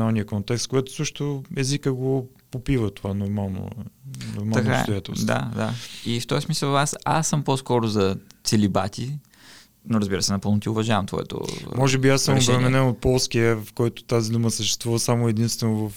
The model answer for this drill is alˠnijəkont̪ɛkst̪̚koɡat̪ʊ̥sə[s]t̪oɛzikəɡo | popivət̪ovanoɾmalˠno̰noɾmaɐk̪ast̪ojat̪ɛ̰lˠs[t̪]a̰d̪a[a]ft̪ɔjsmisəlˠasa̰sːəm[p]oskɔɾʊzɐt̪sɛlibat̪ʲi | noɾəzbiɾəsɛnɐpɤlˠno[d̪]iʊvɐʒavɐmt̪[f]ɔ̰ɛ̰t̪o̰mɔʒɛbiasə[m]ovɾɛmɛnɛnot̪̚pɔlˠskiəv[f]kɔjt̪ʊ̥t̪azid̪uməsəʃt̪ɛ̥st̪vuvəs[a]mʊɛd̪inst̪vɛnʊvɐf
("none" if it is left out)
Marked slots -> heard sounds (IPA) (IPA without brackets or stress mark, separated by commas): ʃ, d̪, i, p, t̪, v, m, f, a